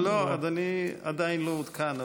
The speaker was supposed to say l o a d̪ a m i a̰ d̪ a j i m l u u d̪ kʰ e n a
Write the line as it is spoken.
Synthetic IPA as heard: l o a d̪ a n i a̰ d̪ a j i n l o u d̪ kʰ a n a